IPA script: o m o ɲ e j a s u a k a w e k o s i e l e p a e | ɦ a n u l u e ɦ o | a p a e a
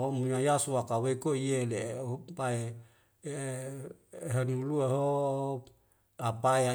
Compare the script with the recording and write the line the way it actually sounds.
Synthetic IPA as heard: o m u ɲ a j a s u a k a w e k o i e l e p a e | ɦ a n u l u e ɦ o | a p a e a